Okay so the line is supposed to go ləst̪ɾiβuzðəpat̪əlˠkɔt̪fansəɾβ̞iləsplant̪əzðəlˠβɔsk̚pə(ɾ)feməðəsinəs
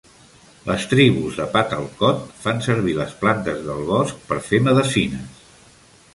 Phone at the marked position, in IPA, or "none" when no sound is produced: ɾ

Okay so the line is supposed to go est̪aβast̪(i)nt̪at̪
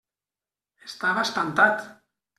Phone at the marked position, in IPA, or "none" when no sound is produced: a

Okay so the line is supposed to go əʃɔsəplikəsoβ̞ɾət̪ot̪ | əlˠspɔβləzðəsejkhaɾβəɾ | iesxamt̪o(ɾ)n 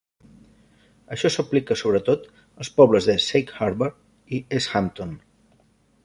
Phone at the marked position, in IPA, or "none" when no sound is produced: none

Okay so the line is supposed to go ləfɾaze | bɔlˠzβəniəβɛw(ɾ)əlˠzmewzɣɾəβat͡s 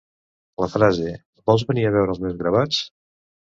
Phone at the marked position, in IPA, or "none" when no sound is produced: ɾ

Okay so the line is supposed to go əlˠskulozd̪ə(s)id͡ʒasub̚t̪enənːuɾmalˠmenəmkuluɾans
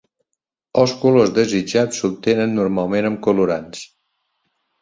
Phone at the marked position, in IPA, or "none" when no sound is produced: z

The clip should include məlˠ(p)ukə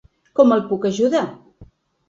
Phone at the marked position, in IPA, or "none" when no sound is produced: p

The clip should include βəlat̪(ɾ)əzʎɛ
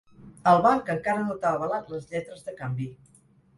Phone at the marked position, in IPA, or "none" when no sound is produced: l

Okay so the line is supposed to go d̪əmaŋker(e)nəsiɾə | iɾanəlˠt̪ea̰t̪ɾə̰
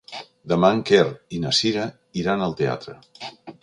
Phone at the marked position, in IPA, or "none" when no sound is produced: i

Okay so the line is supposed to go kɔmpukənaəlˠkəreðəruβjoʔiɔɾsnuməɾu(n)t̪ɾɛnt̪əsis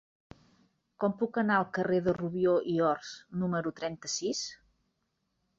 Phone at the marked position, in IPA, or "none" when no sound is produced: none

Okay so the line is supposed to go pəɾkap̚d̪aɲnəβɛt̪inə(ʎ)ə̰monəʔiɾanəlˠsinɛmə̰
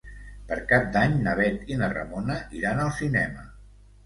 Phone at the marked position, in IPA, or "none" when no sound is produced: r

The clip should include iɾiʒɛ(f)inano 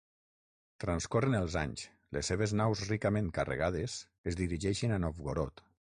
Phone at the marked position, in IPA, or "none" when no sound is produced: ʃ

